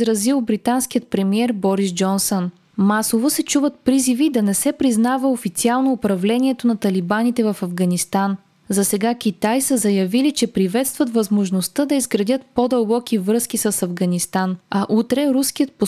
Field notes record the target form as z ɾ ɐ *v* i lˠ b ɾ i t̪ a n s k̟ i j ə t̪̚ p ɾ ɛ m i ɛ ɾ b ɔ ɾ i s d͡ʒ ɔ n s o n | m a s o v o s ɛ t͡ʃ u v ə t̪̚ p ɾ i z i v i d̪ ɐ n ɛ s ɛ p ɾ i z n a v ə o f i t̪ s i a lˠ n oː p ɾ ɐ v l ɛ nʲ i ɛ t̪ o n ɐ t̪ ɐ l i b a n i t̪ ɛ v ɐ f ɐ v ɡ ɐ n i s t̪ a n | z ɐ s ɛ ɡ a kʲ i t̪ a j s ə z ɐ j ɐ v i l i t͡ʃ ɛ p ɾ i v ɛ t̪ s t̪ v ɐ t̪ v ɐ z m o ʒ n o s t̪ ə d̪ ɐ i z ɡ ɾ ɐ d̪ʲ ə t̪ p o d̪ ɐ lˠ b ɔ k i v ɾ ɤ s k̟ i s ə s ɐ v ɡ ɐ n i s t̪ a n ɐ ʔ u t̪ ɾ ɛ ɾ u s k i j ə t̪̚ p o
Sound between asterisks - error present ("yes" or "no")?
yes